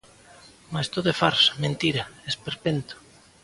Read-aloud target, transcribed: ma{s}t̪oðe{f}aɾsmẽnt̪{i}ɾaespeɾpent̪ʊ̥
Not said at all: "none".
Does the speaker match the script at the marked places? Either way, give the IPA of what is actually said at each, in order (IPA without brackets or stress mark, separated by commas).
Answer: s, f, i